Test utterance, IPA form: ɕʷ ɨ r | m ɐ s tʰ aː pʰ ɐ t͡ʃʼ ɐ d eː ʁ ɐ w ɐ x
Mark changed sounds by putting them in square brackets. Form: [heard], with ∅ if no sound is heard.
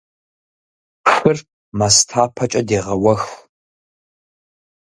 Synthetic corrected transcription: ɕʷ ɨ r | m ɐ s tʰ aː pʰ ɐ t͡ʃʼ ɐ d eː ʁ ɐ w ɐ x